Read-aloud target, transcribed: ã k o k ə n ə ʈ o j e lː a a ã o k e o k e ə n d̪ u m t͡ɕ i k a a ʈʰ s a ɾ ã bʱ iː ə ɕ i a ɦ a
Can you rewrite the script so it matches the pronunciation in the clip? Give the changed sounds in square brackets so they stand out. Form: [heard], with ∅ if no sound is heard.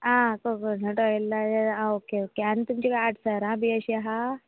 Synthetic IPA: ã k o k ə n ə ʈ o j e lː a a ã o k e o k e [a] n [t̪] u m t͡ɕ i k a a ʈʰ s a ɾ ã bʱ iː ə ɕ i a ɦ a